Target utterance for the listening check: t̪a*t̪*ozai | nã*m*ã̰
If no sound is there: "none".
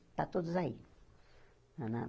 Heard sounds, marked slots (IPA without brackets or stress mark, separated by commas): t̪, n